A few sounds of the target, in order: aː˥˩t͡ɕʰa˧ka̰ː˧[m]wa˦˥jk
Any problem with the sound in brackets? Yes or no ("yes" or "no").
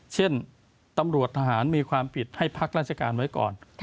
yes